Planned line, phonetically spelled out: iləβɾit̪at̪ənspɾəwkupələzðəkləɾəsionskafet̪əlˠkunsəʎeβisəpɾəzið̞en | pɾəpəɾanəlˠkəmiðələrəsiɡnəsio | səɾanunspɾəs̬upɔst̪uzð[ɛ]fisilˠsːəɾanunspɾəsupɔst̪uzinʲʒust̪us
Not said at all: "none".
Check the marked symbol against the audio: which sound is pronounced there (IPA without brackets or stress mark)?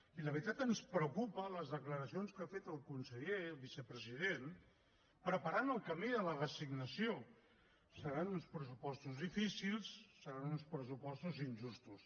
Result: i